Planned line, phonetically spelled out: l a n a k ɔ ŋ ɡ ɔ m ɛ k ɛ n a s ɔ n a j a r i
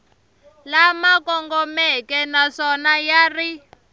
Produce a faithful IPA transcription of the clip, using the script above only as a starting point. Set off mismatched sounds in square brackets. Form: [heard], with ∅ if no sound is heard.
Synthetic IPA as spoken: l a [m] a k ɔ ŋ ɡ ɔ m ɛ k ɛ n a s ɔ n a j a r i